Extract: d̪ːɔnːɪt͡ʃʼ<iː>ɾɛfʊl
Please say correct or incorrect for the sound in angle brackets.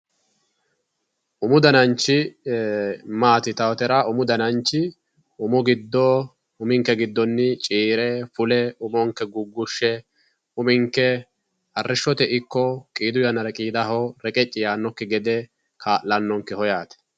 correct